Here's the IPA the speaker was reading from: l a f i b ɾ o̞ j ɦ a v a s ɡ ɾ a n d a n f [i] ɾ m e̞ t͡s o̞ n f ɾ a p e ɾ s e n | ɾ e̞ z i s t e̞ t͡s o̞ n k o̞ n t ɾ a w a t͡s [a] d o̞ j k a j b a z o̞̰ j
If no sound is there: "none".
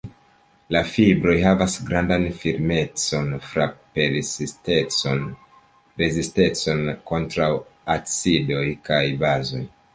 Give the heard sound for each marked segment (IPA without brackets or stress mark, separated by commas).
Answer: i, i